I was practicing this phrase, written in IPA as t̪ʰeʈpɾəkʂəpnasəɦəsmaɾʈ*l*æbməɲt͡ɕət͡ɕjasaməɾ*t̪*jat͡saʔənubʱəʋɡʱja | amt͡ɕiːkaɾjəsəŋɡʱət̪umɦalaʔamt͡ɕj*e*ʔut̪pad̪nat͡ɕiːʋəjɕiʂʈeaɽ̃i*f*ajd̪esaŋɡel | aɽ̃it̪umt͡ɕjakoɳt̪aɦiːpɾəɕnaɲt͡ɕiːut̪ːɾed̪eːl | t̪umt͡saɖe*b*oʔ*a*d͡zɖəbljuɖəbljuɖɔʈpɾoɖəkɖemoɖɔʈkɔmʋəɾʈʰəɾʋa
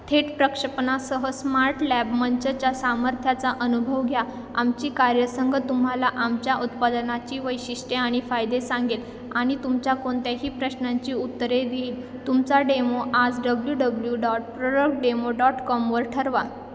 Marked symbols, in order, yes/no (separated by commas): yes, no, no, yes, no, yes